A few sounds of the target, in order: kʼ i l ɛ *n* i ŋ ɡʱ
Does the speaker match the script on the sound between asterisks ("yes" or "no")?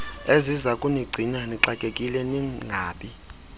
yes